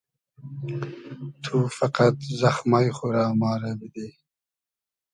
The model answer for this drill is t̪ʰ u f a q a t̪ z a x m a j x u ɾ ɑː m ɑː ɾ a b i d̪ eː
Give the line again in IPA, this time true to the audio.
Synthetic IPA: t̪ʰ u f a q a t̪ z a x m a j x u ɾ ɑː m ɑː ɾ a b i d̪ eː

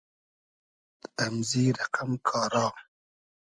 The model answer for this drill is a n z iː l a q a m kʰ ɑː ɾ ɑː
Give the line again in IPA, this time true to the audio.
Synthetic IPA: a m z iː ɾ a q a m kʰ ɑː ɾ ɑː

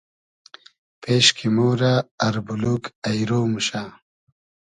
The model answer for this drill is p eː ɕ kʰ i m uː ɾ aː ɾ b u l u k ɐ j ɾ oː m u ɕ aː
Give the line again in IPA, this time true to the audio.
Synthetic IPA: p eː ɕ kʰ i m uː ɾ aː ɾ b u l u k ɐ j ɾ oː m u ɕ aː

